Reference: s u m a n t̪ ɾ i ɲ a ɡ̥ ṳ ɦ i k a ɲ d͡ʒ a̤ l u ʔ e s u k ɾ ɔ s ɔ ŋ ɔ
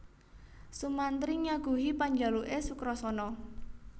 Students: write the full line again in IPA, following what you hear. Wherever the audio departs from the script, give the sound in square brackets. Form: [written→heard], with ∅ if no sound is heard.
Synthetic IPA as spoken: s u m a n t̪ ɾ i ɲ a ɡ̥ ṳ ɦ i [k→p] a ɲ d͡ʒ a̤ l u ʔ e s u k ɾ ɔ s ɔ [ŋ→n] ɔ